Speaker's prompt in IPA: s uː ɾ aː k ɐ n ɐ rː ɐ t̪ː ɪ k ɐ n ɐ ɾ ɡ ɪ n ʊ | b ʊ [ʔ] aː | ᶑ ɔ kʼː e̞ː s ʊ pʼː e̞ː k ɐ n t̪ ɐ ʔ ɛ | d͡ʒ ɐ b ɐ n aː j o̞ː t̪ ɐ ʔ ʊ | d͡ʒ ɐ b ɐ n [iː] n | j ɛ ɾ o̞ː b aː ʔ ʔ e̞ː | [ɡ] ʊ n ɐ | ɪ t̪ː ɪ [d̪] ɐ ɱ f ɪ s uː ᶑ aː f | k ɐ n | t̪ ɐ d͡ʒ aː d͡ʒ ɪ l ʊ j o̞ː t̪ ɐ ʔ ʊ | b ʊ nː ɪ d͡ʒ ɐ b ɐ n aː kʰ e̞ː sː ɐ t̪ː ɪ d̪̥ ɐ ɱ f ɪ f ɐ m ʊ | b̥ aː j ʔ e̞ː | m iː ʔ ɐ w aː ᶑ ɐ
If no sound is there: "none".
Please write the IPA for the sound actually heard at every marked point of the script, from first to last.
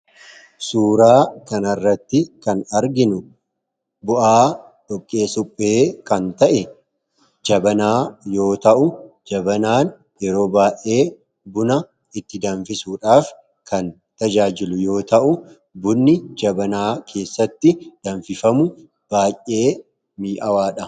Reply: ʔ, aː, b, d̪

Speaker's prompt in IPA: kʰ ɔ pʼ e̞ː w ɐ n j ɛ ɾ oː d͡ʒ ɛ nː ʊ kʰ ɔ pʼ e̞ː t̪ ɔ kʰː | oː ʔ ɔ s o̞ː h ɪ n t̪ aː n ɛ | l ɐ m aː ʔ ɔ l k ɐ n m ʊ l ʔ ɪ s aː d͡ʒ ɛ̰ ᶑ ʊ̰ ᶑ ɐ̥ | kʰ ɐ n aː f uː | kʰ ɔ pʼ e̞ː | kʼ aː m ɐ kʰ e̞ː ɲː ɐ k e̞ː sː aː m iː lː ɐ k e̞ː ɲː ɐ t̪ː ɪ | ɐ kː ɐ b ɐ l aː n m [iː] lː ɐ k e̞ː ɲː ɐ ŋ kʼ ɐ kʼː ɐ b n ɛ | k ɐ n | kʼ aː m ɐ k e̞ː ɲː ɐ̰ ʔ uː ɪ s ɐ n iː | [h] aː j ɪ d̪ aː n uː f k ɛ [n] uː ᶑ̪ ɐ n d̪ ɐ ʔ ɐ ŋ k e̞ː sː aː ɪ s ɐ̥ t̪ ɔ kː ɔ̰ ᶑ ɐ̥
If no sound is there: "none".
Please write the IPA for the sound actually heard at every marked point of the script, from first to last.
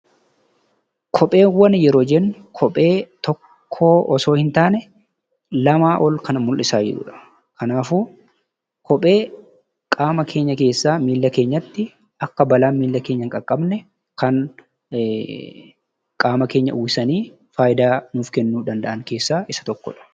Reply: iː, f, nː

